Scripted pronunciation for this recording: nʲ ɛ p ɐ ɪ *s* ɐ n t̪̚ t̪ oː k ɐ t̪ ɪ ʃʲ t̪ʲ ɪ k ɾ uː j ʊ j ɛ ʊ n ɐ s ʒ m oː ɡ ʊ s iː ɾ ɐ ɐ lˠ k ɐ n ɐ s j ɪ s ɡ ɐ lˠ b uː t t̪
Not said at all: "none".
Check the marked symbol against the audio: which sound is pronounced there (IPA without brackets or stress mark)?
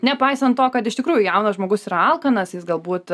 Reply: s